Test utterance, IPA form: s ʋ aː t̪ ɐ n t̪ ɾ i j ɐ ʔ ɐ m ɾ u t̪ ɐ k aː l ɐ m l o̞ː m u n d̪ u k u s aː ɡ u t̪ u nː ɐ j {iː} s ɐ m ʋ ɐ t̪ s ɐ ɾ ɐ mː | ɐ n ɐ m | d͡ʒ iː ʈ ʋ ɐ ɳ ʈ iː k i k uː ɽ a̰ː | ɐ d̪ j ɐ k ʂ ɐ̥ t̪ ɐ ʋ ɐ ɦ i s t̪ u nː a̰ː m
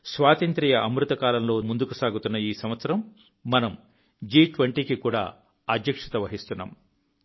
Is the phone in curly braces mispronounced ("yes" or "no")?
no